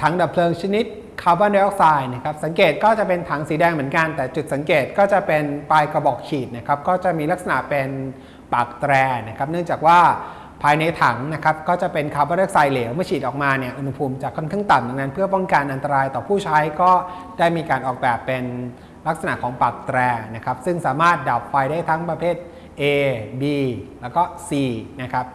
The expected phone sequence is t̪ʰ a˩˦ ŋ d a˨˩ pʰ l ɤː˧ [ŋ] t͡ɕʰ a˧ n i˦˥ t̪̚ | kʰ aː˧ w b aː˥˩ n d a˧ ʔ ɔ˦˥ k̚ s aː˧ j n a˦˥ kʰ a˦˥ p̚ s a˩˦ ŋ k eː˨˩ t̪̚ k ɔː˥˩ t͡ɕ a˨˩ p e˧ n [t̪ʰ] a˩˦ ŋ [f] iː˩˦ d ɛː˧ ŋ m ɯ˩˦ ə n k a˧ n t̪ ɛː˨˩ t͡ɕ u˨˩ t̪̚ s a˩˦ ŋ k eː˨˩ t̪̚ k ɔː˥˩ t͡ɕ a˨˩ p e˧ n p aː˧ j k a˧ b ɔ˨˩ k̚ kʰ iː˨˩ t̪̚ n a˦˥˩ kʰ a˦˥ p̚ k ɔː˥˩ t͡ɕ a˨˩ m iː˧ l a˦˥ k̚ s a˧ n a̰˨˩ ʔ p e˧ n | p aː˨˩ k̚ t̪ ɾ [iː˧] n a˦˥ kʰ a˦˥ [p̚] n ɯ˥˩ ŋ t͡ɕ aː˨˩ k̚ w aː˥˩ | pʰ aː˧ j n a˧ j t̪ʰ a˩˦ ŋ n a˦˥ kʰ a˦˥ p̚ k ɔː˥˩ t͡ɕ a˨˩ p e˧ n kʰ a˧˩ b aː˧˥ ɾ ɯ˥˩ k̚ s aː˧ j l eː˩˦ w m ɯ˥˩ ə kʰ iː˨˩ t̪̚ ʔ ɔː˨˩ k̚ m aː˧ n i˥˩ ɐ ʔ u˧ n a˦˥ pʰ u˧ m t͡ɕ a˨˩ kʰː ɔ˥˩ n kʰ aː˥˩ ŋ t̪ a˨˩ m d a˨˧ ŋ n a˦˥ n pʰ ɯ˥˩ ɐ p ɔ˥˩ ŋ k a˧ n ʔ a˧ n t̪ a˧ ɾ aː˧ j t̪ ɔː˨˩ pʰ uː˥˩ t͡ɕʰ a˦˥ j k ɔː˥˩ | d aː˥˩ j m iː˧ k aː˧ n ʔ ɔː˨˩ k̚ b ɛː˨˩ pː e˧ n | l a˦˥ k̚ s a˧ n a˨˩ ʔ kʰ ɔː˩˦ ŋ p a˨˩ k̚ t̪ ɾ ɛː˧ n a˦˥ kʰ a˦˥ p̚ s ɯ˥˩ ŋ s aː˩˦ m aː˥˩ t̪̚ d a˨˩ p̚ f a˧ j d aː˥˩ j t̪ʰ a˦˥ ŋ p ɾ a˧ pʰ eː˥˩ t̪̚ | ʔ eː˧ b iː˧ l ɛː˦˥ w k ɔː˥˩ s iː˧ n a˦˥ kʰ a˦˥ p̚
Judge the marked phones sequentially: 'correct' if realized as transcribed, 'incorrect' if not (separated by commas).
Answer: correct, correct, incorrect, incorrect, correct